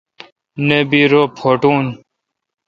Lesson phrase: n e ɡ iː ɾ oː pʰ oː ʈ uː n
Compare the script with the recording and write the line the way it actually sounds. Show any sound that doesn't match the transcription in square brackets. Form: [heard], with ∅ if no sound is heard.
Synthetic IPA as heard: n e [b] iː ɾ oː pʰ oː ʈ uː n